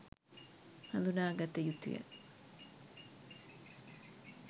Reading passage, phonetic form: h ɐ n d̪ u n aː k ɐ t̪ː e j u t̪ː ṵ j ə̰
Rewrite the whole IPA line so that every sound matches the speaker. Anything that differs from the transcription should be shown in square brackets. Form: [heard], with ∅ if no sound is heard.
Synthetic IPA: h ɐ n d̪ u n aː [ɡ] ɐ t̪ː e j u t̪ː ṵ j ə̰